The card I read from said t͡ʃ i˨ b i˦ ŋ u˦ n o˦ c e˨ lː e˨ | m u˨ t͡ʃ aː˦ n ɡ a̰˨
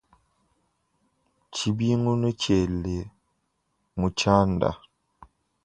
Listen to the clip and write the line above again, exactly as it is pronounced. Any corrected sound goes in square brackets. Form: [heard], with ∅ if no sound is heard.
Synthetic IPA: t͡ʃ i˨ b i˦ ŋ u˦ n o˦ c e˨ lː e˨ | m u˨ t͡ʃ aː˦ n [d] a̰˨